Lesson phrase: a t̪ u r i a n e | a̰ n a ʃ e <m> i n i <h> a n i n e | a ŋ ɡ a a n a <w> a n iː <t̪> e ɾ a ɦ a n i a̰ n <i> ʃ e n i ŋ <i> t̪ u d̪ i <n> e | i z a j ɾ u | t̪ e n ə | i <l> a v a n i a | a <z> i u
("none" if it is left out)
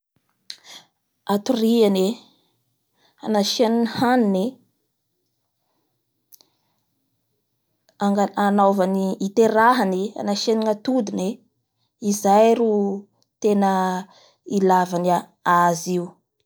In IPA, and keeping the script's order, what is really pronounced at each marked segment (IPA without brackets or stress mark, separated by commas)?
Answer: n, h, v, t̪, a, a, n, l, z